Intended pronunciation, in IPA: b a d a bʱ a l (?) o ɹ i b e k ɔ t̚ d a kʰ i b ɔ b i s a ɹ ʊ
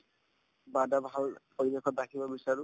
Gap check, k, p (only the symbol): p